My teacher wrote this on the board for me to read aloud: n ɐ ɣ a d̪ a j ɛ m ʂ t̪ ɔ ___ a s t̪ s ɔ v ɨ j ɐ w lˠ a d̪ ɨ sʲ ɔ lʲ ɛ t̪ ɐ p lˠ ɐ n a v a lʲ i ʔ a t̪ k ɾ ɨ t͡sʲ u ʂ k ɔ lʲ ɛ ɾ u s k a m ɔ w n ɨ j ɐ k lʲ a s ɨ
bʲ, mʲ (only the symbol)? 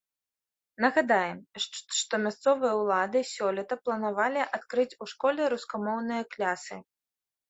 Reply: mʲ